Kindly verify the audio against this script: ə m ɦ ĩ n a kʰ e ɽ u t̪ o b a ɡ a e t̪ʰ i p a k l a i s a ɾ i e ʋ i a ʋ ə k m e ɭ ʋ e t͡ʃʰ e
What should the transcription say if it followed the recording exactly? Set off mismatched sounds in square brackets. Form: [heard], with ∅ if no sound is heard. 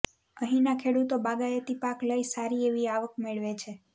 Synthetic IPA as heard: ə [∅] ɦ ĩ n a kʰ e ɽ u t̪ o b a ɡ a e [t̪] i p a k l [ə] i s a ɾ i e ʋ i a ʋ ə k m e ɭ ʋ e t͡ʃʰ e